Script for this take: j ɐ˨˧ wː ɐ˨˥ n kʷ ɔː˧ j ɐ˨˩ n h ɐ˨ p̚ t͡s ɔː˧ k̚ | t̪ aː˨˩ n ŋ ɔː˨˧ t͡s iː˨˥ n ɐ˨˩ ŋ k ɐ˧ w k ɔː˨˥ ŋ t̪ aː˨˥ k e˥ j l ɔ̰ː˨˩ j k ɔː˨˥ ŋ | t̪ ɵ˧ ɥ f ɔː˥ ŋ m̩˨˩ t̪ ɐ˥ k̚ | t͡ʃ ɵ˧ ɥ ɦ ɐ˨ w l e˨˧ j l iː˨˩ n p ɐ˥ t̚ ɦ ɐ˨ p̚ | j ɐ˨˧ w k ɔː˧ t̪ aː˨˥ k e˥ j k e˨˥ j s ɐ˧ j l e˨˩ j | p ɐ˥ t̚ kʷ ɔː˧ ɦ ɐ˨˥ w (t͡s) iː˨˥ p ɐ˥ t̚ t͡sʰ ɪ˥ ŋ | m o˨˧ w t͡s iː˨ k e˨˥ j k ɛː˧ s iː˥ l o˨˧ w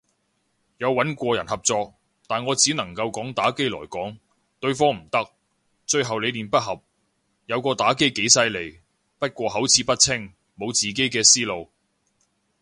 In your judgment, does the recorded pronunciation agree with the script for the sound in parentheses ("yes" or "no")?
no